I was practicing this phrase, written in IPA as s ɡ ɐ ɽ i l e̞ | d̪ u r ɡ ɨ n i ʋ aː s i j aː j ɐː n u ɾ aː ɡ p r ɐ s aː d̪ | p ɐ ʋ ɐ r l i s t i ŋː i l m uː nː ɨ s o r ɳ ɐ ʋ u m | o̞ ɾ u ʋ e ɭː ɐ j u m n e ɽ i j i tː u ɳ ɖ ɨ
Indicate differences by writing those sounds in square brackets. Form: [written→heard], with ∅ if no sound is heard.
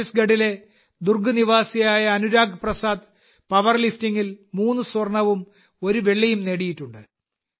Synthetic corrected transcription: s ɡ ɐ ɽ i l e̞ | d̪ u r ɡ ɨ n i ʋ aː s i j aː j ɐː n u ɾ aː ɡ p r ɐ s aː d̪ | p ɐ ʋ ɐ r l i [s→f] t i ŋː i l m uː nː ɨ s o r ɳ ɐ ʋ u m | o̞ ɾ u ʋ e ɭː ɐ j u m n e ɽ i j i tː u ɳ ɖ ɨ